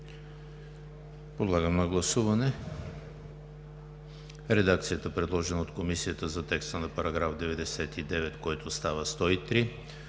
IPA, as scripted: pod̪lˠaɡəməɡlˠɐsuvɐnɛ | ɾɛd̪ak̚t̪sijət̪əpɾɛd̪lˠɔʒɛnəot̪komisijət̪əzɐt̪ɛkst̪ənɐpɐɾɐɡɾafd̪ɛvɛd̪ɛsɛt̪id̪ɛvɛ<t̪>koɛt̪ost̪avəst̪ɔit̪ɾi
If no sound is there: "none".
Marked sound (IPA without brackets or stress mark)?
t̪